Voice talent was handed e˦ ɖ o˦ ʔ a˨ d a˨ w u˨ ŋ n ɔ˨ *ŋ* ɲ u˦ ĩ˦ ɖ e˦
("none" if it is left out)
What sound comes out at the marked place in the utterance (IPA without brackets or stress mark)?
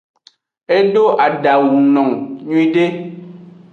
ŋ